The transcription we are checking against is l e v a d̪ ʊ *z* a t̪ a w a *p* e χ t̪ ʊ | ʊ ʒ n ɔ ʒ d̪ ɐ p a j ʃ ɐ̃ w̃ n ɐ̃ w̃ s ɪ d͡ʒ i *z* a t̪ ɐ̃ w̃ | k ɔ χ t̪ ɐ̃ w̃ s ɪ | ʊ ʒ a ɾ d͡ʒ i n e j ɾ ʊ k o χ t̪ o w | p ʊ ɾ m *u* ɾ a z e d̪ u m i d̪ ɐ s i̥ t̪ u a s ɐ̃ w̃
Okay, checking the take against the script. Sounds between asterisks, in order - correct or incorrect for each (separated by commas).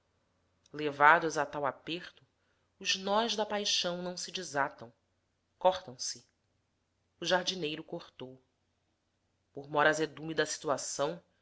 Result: correct, correct, correct, incorrect